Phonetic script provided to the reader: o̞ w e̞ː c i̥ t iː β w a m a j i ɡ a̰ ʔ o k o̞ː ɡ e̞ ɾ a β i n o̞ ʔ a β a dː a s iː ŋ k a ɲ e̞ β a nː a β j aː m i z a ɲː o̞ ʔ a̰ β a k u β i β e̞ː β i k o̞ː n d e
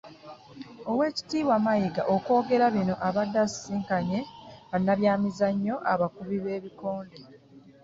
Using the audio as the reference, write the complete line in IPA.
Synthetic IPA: o̞ w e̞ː c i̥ t iː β w a m a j i ɡ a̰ ʔ o k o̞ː ɡ e̞ ɾ a β i n o̞ ʔ a β a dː a s iː ŋ k a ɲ e̞ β a nː a β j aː m i z a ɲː o̞ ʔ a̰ β a k u β i β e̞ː β i k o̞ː n d e